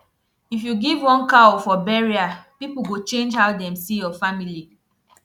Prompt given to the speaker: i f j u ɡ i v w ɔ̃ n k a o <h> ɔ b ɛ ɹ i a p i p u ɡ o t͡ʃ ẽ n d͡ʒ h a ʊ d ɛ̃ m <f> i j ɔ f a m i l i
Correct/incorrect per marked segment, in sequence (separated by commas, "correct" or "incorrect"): incorrect, incorrect